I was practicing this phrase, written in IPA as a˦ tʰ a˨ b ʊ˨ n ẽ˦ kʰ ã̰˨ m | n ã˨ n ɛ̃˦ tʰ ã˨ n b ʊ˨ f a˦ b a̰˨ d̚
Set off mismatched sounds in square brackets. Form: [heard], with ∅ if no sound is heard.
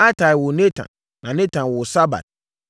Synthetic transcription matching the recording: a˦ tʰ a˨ [w] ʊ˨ n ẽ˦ [tʰ] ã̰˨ [n] | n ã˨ n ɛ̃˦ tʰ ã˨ n [w] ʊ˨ [s] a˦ b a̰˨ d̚